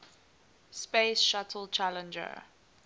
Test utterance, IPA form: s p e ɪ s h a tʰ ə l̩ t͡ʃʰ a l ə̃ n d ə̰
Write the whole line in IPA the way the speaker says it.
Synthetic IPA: s p e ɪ s ʃ a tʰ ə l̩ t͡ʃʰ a l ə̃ n d͡ʒ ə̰